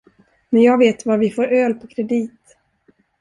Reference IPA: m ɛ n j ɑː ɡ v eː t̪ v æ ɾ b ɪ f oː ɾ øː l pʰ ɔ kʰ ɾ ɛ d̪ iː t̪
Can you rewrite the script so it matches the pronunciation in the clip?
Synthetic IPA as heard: m ɛ n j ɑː ɡ v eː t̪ v a ɾ v ɪ f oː ɾ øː l pʰ ɔ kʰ ɾ ɛ d̪ iː t̪